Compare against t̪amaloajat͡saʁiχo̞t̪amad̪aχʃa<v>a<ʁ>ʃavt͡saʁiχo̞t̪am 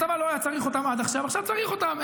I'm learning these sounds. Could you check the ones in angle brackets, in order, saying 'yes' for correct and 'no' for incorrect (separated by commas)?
yes, no